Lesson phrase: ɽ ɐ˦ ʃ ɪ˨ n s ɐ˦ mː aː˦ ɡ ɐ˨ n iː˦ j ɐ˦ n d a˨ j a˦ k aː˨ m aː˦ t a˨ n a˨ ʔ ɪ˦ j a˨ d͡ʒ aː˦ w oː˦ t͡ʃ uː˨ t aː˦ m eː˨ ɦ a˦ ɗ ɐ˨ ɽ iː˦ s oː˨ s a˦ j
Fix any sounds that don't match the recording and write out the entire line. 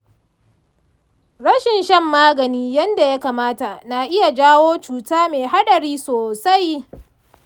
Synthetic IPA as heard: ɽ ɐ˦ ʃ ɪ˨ n ʃ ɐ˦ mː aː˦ ɡ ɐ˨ n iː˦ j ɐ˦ n d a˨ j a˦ k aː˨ m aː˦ t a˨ n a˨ ʔ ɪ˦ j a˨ d͡ʒ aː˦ w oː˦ t͡ʃ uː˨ t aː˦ m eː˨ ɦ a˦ ɗ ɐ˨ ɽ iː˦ s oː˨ s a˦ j